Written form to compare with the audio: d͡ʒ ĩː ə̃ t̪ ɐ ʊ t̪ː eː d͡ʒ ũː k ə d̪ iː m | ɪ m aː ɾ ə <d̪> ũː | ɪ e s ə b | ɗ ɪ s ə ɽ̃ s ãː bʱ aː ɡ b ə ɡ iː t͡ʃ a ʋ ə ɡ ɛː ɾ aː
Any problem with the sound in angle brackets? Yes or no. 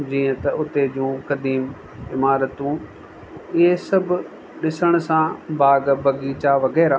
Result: yes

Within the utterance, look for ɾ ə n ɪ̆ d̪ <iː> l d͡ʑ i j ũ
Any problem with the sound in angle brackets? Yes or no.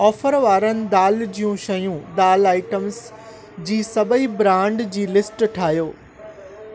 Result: yes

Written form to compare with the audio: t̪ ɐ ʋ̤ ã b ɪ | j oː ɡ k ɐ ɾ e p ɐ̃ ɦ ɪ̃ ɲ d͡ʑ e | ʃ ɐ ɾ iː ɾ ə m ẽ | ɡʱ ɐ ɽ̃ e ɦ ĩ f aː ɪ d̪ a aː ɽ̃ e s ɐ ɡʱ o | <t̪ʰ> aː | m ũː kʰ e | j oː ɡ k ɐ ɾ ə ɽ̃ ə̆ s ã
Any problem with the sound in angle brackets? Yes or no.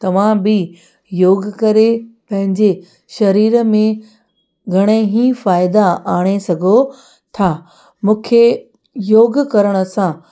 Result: no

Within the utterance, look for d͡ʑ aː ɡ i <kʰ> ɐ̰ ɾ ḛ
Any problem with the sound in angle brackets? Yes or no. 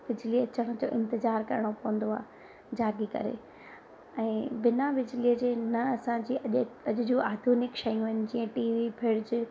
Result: yes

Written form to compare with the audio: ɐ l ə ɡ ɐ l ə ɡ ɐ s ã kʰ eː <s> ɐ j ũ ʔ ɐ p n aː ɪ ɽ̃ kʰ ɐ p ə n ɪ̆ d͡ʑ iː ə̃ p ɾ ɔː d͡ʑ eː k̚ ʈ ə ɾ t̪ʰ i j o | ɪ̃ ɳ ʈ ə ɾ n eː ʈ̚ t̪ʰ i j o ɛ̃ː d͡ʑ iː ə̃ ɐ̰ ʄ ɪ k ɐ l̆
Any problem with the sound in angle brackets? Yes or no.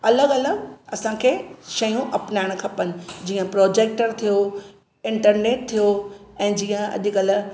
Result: yes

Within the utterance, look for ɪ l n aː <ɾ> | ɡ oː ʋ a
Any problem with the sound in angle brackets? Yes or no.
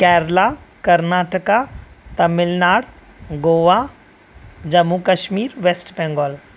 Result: yes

